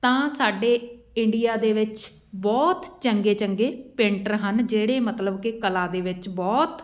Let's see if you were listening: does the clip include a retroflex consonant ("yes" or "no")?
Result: yes